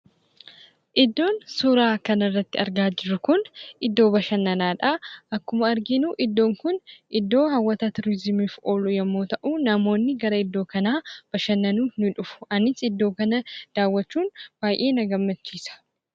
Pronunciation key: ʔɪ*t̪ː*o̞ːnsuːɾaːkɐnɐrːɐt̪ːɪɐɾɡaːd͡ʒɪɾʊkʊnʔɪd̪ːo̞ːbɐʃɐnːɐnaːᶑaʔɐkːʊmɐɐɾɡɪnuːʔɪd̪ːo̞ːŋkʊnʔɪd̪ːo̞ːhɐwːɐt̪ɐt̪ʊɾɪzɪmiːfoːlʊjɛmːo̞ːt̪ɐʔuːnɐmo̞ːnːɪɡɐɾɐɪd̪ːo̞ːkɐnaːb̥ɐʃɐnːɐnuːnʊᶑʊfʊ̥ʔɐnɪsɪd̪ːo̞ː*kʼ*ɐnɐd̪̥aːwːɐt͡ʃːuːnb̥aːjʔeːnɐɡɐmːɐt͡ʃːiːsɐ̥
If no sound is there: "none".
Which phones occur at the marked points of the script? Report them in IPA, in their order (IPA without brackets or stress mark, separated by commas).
d̪ː, k